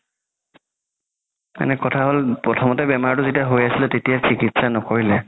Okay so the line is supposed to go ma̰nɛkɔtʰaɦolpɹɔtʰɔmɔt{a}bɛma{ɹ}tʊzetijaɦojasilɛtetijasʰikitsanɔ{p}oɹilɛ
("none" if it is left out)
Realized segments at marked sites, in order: ɛ, ɹ, k

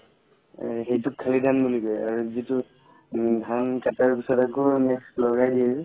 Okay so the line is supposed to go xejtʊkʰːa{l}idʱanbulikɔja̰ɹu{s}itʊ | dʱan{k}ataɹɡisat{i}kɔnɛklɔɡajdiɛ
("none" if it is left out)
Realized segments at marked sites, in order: l, z, k, a

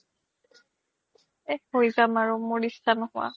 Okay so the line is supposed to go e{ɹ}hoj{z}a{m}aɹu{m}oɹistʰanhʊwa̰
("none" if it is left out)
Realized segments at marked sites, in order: none, z, m, m

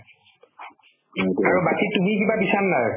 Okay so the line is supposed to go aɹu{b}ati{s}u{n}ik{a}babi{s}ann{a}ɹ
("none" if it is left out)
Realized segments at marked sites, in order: b, t, m, i, s, a

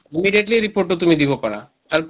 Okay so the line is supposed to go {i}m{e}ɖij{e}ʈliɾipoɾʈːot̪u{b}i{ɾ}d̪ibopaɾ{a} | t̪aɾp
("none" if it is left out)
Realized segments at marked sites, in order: i, i, e, m, none, a

